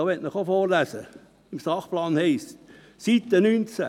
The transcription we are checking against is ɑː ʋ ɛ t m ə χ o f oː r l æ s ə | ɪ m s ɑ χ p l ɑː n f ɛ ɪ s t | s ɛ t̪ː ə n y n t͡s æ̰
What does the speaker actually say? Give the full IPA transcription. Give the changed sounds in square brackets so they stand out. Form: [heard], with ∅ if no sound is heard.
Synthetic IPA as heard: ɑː ʋ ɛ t [n] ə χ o f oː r l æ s ə | ɪ m s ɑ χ p l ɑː n [h] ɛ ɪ s t | s [i] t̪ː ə n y n t͡s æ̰